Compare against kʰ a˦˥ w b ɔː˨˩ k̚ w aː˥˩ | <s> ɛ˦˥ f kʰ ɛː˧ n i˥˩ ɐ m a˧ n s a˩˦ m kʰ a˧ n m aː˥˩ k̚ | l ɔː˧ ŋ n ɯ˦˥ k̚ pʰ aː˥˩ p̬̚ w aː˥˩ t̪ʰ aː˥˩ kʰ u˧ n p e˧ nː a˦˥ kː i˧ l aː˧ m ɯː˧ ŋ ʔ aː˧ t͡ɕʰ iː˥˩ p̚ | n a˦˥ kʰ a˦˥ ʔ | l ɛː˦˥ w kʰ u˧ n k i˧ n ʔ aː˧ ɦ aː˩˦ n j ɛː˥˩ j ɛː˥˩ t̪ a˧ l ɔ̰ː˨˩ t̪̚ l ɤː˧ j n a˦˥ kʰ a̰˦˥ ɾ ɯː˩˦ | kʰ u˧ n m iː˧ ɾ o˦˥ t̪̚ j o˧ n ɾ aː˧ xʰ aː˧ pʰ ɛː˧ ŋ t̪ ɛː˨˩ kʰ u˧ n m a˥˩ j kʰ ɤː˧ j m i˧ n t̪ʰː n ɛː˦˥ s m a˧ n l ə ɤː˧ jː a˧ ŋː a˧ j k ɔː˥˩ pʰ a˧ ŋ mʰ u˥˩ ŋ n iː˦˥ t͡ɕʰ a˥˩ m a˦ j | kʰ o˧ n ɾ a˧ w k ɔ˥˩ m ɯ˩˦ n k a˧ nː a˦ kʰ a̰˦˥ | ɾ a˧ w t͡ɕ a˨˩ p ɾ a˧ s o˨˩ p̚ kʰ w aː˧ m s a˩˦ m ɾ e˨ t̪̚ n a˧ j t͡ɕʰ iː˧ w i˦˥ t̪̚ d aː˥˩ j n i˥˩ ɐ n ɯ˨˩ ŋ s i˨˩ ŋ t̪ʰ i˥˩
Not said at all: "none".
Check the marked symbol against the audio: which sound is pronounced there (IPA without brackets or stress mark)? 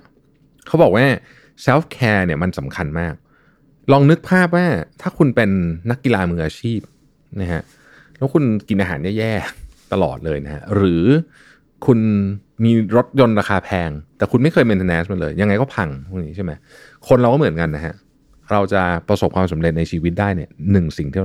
s